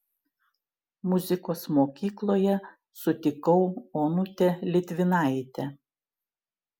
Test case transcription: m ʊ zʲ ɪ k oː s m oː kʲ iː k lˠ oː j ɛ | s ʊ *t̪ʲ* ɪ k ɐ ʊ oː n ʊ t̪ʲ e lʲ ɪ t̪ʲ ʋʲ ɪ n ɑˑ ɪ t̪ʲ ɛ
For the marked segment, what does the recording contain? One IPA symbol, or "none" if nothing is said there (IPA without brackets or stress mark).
t̪ʲ